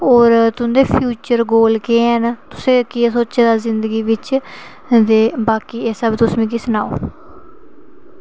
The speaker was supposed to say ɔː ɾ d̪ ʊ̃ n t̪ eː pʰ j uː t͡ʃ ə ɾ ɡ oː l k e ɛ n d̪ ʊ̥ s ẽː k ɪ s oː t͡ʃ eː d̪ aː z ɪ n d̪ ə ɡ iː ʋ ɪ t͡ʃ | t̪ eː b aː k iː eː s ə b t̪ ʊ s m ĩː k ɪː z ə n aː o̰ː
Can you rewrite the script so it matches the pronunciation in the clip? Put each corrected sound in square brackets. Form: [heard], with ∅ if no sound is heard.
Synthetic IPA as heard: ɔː ɾ [t̪] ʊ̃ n [d̪] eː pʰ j uː t͡ʃ ə ɾ ɡ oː l k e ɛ n [t̪] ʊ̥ s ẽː k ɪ s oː t͡ʃ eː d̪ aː z ɪ n d̪ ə ɡ iː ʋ ɪ t͡ʃ | [d̪] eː b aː k iː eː s ə b t̪ ʊ s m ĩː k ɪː [s] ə n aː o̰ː